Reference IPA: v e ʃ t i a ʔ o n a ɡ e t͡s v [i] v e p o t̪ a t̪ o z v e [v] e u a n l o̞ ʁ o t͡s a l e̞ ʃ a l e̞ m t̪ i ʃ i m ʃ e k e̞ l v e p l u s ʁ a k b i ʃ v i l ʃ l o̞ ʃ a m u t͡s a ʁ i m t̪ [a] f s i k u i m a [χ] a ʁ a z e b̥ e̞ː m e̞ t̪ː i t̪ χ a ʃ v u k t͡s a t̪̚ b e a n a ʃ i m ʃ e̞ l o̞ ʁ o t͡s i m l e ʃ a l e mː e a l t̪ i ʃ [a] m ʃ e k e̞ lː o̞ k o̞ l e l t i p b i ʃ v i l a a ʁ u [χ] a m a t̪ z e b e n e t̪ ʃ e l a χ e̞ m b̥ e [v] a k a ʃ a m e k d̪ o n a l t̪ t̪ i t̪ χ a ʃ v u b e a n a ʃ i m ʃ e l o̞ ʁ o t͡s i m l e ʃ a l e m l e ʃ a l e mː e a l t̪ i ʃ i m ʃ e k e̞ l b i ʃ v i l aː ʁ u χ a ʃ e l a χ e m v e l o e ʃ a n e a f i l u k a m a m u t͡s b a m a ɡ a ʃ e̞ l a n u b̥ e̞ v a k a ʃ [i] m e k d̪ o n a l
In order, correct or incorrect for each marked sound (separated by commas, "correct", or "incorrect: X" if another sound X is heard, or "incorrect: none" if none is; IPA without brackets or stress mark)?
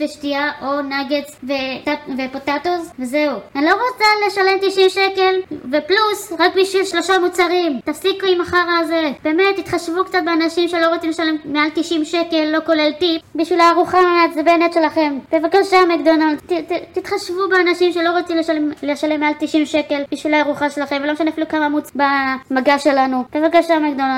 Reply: incorrect: e, incorrect: z, correct, correct, incorrect: i, correct, correct, incorrect: a